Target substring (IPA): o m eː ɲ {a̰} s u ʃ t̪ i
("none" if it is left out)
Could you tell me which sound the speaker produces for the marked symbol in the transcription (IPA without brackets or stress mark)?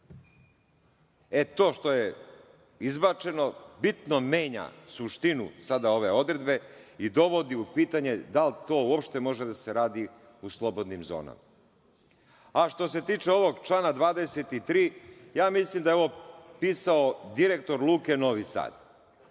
a̰